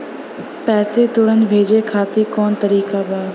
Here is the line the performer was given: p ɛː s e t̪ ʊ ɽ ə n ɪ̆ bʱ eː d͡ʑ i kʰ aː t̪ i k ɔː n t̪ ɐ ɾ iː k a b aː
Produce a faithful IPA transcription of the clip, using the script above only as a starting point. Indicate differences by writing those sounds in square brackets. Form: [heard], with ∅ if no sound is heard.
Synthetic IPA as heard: p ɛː s e t̪ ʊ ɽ ə n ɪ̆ bʱ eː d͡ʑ [e] kʰ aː t̪ i k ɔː n t̪ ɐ ɾ iː k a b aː